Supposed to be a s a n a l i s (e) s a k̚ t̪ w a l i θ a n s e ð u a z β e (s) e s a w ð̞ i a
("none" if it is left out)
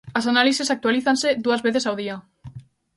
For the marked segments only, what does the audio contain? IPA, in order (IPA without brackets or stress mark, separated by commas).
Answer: e, θ